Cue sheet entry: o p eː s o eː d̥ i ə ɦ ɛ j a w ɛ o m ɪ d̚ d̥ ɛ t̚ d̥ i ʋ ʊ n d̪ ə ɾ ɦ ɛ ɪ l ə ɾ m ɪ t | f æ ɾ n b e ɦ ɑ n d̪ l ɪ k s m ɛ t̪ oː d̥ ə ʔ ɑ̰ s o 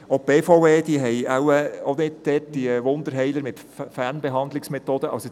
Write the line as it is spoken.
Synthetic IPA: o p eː f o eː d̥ i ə ɦ ɛ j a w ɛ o n ɪ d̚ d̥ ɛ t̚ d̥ i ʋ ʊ n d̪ ə ɾ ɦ ɛ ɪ l ə ɾ m ɪ t | f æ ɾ n b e ɦ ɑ n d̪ l ɪ k s m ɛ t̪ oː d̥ ə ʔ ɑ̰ s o